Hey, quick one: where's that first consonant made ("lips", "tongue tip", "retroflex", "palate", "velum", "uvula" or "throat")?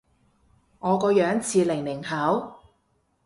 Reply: velum